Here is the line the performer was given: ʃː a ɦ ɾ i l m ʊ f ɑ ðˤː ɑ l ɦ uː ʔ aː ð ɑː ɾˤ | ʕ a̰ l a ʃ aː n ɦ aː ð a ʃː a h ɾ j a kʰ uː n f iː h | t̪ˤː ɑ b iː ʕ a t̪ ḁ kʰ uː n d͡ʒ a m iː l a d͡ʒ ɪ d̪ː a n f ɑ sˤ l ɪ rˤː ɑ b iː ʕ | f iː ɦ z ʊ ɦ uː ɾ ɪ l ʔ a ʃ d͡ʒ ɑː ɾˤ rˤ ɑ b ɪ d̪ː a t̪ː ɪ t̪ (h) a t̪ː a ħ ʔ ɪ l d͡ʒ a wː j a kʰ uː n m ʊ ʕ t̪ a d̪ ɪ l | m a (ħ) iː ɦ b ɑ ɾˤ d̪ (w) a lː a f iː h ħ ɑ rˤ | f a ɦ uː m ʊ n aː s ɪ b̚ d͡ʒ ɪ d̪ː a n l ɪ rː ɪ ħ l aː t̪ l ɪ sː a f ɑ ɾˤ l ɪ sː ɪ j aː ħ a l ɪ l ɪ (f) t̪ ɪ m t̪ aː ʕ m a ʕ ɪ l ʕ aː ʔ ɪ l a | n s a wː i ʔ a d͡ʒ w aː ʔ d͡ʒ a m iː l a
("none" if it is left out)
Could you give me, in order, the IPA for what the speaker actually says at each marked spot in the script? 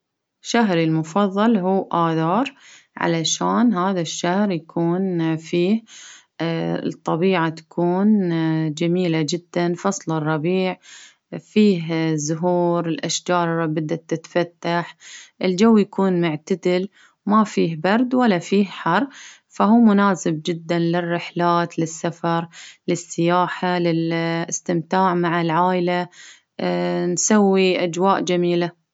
f, f, w, s

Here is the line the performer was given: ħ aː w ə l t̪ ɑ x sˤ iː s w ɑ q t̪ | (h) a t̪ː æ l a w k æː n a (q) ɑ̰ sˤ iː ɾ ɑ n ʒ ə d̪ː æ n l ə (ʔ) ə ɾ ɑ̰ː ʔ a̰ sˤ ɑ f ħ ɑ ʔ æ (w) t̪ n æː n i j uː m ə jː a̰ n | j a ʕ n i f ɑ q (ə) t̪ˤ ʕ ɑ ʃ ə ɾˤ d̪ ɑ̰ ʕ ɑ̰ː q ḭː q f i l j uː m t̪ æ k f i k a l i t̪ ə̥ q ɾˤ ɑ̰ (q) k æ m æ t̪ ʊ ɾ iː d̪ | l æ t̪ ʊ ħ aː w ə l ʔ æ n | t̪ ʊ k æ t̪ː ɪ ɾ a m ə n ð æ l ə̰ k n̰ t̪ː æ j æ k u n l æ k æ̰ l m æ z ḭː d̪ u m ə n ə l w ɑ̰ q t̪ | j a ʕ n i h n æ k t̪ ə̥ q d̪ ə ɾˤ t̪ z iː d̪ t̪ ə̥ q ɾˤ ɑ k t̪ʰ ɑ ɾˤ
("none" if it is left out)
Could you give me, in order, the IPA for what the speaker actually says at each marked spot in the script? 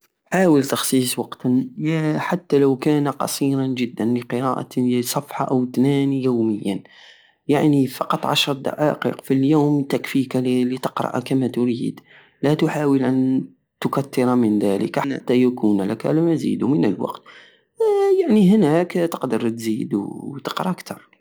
ħ, q, q, w, ɑ, ʔ

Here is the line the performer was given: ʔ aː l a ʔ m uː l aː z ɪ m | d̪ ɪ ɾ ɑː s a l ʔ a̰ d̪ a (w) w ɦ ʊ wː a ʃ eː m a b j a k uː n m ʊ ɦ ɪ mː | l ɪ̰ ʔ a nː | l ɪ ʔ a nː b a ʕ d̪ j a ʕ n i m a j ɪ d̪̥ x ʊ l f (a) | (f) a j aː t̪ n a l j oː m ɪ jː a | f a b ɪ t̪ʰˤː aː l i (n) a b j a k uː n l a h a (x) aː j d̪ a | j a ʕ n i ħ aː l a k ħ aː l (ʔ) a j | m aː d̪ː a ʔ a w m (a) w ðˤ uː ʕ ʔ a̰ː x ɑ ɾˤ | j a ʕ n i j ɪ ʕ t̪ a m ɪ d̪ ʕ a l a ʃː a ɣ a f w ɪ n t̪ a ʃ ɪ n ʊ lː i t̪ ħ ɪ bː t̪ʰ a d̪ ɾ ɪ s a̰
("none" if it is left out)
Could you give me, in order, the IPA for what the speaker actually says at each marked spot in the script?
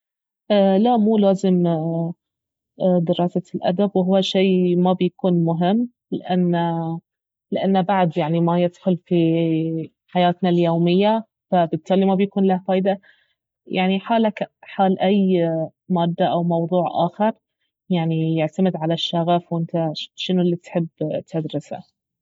b, i, ħ, m, f, ʔ, ɑ

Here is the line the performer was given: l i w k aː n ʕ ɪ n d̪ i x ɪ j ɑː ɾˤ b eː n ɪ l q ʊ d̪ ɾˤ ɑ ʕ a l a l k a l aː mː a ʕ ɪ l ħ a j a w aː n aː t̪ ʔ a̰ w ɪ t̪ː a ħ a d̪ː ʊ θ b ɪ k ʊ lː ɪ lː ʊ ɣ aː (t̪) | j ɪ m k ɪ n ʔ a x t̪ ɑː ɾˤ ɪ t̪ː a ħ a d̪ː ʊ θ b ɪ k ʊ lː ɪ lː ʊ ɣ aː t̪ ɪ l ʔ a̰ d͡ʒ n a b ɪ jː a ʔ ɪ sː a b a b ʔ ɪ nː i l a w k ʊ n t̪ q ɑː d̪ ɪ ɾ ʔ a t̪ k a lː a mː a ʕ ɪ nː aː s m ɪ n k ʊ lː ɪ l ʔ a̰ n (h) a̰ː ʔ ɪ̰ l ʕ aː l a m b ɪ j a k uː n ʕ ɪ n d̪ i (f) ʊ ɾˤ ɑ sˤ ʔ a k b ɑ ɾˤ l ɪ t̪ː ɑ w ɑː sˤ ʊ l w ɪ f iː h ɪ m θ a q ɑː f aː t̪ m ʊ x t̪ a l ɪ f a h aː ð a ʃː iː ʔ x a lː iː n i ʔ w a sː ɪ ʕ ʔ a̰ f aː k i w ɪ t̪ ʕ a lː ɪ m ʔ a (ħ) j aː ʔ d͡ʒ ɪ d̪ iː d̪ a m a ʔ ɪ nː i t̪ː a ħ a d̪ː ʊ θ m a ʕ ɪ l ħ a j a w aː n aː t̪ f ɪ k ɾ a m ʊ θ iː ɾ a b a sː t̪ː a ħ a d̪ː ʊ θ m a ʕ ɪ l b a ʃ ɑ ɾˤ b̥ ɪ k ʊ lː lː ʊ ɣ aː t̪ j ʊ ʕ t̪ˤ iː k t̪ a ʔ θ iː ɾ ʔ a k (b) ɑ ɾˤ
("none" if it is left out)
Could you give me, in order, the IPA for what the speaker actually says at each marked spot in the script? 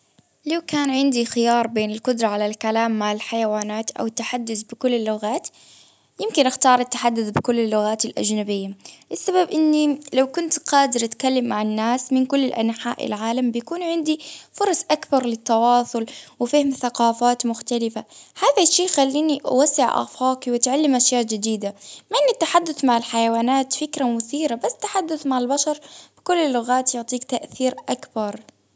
t̪, ħ, f, ʃ, b

